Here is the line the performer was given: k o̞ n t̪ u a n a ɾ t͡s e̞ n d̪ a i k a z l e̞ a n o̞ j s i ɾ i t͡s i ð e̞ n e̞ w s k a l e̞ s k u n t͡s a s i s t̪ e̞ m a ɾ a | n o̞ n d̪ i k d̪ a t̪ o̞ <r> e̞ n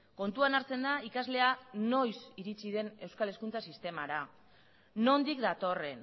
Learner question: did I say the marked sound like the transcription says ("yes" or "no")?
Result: yes